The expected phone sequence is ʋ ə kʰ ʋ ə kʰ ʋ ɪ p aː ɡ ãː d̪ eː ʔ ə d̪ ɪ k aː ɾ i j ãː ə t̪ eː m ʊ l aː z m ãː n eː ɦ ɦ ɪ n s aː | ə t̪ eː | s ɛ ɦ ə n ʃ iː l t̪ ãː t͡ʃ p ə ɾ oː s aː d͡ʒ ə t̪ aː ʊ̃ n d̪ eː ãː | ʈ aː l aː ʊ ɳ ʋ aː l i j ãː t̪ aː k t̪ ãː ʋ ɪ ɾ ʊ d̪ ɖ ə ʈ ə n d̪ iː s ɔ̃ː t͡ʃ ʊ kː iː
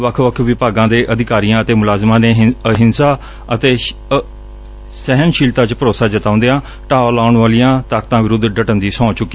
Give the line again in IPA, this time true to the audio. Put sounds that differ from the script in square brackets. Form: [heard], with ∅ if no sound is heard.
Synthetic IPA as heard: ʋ ə kʰ ʋ ə kʰ ʋ ɪ p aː ɡ ãː d̪ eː ʔ ə d̪ ɪ k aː ɾ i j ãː ə t̪ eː m ʊ l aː z m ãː n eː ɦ ɦ ɪ n s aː | ə t̪ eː | s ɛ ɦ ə n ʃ iː l t̪ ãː t͡ʃ p ə ɾ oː s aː d͡ʒ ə t̪ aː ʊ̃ n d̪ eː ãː | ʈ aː l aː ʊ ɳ ʋ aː l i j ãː t̪ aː k t̪ ãː ʋ ɪ ɾ ʊ d̪ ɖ ə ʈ ə n d̪ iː s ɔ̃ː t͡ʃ ʊ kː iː